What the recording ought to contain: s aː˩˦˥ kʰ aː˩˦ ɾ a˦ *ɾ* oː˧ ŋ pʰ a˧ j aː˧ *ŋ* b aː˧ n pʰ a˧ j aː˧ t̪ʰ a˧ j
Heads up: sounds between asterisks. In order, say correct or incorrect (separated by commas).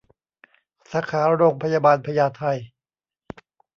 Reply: correct, incorrect